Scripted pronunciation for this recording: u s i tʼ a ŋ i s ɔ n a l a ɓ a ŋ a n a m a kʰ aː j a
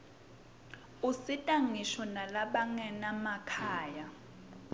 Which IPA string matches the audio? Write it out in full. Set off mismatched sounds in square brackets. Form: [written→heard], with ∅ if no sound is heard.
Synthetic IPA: u s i tʼ a ŋ i [s→ʃ] ɔ n a l a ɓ a ŋ [a→ɛ] n a m a kʰ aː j a